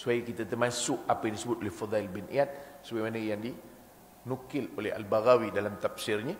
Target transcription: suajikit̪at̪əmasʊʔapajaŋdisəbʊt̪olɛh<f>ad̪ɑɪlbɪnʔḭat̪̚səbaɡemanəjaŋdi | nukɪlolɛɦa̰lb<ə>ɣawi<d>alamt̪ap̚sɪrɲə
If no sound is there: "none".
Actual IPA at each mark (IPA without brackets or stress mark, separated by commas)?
f, a, d